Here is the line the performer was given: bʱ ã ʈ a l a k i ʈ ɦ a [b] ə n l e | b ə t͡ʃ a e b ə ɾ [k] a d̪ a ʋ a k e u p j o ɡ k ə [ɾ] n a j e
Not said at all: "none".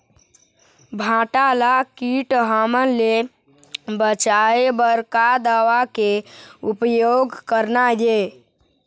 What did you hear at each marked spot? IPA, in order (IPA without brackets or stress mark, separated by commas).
m, k, ɾ